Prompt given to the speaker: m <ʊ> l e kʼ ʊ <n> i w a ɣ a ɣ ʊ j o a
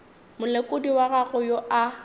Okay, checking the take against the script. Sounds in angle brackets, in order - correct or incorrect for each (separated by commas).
correct, incorrect